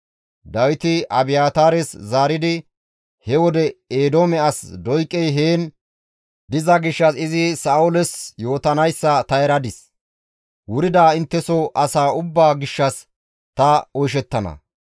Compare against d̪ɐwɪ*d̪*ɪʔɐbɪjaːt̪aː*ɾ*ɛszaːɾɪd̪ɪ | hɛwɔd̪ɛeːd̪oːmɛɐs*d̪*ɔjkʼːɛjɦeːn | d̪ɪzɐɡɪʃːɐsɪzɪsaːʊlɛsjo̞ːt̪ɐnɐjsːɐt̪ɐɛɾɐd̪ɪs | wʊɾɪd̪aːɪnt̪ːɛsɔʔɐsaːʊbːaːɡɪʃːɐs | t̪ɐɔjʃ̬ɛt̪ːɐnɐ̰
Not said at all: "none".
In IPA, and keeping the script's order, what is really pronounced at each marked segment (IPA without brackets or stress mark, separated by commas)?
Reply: t̪, ɾ, d̪